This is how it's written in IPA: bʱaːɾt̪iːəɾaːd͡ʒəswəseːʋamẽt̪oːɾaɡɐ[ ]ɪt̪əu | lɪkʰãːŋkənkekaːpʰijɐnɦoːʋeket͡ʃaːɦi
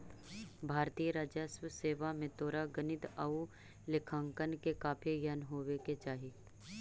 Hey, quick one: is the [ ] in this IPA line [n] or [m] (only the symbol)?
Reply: n